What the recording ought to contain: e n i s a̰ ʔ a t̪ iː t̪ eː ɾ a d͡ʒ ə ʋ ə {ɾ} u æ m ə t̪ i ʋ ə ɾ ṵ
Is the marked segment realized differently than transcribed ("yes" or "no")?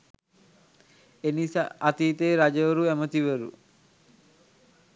no